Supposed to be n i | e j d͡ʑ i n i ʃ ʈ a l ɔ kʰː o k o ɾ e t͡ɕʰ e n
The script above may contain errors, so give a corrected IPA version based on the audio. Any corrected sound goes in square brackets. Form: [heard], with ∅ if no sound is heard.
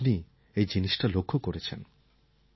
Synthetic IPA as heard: n i | e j d͡ʑ i n i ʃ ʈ a l [o] kʰː o k o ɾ e t͡ɕʰ e n